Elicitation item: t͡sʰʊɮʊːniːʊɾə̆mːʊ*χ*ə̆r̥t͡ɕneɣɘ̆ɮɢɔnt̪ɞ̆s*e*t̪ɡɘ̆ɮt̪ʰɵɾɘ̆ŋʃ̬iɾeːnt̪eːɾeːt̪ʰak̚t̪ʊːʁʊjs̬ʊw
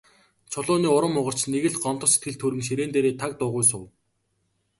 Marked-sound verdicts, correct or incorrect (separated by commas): incorrect, correct